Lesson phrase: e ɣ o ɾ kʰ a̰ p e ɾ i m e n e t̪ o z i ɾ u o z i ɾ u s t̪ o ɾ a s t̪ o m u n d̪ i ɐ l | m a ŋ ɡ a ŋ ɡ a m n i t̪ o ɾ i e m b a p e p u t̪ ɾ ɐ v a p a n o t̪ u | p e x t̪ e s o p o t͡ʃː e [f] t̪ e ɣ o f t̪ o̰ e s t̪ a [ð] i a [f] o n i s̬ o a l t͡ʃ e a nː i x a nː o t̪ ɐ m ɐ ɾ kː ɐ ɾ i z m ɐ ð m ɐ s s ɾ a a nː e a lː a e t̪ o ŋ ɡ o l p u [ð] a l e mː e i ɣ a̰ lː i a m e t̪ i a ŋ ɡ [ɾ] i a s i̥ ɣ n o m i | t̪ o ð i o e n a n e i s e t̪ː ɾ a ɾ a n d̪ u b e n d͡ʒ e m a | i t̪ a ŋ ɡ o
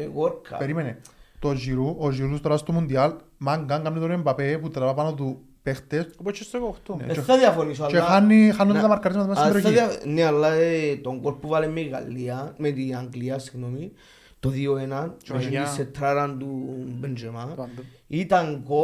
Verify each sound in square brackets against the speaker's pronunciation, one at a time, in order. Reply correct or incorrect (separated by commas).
incorrect, correct, correct, incorrect, incorrect